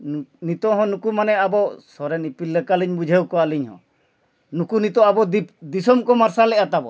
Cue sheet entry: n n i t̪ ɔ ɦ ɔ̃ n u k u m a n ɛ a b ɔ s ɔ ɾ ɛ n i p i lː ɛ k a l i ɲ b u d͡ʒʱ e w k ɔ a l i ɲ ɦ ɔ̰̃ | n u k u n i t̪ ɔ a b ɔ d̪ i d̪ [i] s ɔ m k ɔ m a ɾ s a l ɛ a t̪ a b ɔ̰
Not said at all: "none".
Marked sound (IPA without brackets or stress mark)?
i